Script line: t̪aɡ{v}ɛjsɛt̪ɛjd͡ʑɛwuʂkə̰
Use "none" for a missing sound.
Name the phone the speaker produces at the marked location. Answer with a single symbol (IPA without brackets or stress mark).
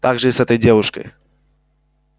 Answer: ʐ